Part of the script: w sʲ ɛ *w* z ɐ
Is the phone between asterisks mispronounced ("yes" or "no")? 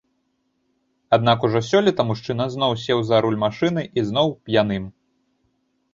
no